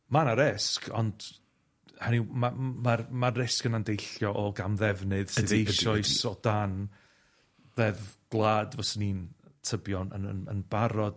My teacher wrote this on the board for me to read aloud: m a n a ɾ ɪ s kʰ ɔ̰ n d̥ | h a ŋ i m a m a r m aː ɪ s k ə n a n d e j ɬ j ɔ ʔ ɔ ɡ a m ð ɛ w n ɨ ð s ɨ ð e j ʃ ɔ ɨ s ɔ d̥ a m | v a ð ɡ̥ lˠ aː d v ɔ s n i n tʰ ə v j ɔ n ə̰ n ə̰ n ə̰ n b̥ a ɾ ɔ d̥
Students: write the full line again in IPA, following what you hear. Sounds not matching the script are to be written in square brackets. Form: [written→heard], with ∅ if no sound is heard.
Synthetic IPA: m a n a ɾ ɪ s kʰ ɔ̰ n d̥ | h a [ŋ→n] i m a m a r m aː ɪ s k ə n a n d e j ɬ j ɔ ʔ ɔ ɡ a m ð ɛ [w→v] n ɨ ð s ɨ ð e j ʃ ɔ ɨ s ɔ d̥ a [m→n] | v [a→ɛ] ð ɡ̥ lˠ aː d v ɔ s n i n tʰ ə [v→b] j ɔ n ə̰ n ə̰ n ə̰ n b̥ a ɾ ɔ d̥